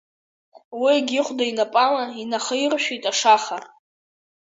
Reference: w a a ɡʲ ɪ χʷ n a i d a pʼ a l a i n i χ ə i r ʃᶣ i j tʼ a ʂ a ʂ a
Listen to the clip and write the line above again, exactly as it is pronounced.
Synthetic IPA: w i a ɡʲ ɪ χʷ d a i n a pʼ a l a i n a χ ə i r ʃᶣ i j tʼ a ʂ a χ a